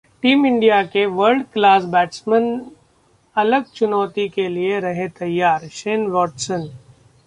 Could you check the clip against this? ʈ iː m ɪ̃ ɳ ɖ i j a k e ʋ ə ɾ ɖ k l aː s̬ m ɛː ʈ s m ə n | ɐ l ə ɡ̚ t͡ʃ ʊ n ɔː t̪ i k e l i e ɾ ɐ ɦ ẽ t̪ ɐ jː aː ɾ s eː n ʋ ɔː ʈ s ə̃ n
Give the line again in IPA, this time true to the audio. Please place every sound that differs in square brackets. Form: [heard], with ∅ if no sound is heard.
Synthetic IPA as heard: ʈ iː m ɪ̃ ɳ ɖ i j a k e ʋ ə ɾ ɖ k l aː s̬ [b] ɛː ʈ s m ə n | ɐ l ə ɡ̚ t͡ʃ ʊ n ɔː t̪ i k e l i e ɾ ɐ ɦ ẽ t̪ ɐ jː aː ɾ [ʃ] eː n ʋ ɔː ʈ s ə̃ n

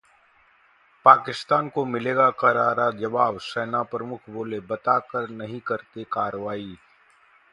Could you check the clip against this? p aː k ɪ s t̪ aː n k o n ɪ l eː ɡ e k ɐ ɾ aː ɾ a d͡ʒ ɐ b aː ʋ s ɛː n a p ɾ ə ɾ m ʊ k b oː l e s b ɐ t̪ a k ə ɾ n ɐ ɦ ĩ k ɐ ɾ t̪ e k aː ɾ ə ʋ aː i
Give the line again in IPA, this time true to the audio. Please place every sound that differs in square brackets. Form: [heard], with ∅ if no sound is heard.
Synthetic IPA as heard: p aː k ɪ s t̪ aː n k o [m] ɪ l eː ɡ [a] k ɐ ɾ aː ɾ a d͡ʒ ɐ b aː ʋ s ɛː n a p ɾ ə [∅] m ʊ [kʰ] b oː l e [∅] b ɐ t̪ a k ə ɾ n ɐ ɦ ĩ k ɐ ɾ t̪ e k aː ɾ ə ʋ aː i

